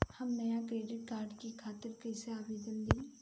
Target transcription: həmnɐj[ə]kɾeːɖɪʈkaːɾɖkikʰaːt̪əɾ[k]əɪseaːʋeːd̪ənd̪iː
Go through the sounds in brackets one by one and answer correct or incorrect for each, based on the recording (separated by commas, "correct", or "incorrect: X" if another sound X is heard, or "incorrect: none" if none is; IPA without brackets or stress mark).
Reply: incorrect: a, correct